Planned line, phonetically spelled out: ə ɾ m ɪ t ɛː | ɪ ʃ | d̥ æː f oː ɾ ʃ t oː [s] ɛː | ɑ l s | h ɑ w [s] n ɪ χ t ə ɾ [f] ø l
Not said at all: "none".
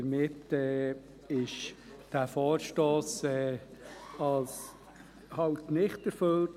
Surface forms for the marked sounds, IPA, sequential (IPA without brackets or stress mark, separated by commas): s, t, f